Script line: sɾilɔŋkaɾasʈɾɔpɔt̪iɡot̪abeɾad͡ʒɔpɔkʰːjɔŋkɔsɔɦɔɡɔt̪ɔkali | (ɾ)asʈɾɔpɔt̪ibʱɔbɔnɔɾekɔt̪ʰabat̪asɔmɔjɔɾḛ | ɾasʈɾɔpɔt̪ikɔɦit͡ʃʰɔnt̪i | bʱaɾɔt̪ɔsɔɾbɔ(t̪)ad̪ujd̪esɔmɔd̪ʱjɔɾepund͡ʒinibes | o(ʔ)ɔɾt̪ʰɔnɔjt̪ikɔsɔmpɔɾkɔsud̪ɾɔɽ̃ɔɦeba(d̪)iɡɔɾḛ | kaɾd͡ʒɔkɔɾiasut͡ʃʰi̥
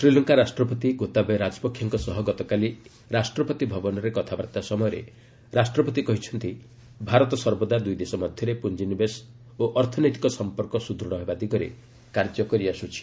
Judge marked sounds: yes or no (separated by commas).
yes, no, yes, yes